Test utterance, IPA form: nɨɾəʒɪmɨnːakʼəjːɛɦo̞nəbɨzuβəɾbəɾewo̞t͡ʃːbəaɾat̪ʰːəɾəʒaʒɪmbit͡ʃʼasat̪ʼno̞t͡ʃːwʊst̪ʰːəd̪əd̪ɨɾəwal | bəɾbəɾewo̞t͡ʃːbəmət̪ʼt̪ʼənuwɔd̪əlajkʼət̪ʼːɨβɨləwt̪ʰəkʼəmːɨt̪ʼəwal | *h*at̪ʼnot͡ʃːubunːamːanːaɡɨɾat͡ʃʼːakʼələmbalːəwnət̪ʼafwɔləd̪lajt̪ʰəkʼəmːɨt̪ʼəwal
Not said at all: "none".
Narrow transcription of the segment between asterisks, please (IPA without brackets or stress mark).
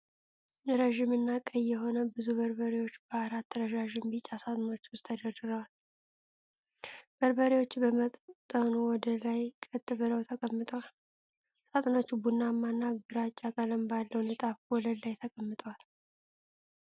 s